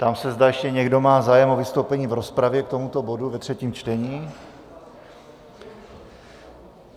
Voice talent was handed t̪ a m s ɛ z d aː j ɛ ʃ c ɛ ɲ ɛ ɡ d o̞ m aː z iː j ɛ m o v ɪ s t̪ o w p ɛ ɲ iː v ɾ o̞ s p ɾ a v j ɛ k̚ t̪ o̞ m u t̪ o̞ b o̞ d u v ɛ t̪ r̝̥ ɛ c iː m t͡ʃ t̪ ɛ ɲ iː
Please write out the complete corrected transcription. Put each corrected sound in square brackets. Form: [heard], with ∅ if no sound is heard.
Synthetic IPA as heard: t̪ a m s ɛ z d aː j ɛ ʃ c ɛ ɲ ɛ ɡ d o̞ m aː z [aː] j ɛ m o v ɪ s t̪ o w p ɛ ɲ iː v ɾ o̞ s p ɾ a v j ɛ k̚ t̪ o̞ m u t̪ o̞ b o̞ d u v ɛ t̪ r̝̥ ɛ c iː m t͡ʃ t̪ ɛ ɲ iː